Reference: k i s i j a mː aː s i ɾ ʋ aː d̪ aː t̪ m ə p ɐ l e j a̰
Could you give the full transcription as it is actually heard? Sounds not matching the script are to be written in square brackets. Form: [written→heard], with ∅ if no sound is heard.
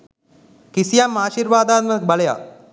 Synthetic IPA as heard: k i s i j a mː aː [s→ʃ] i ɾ ʋ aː d̪ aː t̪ m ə [p→b] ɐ l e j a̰